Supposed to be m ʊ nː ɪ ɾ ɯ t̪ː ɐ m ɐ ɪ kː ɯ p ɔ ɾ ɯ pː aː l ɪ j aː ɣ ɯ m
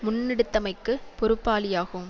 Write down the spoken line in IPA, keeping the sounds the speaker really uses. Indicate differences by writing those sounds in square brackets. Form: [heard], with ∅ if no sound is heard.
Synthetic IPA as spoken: m ʊ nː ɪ [ɽ] ɯ t̪ː ɐ m ɐ ɪ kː ɯ p ɔ ɾ ɯ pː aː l ɪ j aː ɣ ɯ m